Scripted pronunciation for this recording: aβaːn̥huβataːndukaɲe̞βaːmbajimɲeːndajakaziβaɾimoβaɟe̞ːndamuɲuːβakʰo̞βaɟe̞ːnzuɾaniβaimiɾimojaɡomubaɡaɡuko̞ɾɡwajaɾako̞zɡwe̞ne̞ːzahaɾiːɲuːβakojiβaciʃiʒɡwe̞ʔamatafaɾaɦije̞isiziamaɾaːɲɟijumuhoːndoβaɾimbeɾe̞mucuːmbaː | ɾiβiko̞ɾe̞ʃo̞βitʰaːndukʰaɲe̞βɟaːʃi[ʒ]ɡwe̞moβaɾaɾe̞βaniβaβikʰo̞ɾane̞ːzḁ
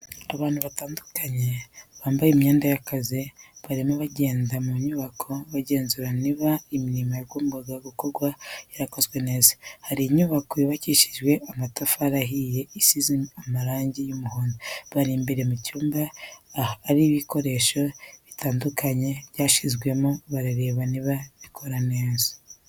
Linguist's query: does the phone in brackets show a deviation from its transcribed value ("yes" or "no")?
yes